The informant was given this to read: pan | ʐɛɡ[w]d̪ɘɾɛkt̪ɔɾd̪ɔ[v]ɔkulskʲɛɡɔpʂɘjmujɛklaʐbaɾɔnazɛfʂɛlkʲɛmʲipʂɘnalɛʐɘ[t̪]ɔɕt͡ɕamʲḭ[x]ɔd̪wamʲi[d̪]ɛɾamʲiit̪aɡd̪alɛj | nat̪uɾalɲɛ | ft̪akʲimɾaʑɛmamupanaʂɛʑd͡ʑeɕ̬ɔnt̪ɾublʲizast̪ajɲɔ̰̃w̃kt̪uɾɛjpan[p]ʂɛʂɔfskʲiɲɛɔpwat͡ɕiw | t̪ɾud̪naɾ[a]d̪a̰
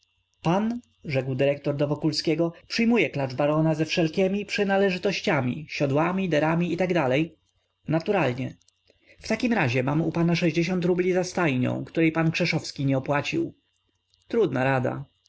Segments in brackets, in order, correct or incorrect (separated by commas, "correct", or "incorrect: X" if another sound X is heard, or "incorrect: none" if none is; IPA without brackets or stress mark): correct, correct, correct, incorrect: ɕ, correct, incorrect: k, correct